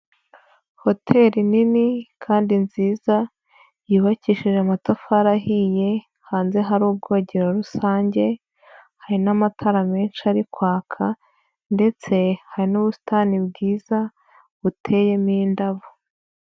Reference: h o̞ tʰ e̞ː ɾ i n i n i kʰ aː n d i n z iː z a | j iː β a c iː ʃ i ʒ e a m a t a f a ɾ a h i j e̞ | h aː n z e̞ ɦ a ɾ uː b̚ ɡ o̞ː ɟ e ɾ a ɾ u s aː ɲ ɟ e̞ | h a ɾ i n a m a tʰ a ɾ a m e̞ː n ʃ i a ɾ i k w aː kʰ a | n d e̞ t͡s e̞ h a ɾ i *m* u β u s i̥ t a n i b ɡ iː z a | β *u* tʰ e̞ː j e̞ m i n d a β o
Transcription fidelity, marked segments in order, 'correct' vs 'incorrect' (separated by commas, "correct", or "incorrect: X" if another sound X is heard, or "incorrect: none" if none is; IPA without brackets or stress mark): incorrect: n, correct